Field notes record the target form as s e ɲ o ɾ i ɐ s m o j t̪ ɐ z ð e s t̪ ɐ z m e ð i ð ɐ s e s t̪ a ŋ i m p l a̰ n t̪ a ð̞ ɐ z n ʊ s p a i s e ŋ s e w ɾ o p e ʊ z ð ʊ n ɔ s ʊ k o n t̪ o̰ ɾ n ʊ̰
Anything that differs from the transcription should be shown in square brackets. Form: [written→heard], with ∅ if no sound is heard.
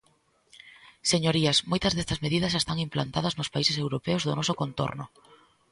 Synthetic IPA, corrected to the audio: s e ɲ o ɾ i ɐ s m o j t̪ ɐ z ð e s t̪ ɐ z m e ð i ð ɐ s e s t̪ a ŋ i m p l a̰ n t̪ a ð̞ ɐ z n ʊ s p a i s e [ŋ→∅] s e w ɾ o p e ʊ z ð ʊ n ɔ s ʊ k o n t̪ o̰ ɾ n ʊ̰